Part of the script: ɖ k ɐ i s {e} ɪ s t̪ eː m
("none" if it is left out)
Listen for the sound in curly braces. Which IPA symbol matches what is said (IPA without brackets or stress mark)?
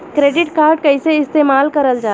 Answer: e